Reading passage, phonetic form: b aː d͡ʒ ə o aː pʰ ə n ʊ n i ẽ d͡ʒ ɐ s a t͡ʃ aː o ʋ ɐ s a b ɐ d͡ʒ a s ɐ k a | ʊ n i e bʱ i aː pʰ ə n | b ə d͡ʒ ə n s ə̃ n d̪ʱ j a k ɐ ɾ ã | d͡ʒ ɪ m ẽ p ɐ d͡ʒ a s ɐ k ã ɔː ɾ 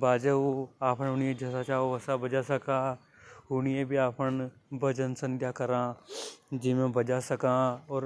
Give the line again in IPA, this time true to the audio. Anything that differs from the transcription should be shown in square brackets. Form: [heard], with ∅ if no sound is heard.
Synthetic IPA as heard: b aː d͡ʒ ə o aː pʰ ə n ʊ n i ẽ d͡ʒ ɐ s a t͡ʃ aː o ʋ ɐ s a b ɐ d͡ʒ a s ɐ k a | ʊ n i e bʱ i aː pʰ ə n | b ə d͡ʒ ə n s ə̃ n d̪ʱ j a k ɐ ɾ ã | d͡ʒ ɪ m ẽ [b] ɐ d͡ʒ a s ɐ k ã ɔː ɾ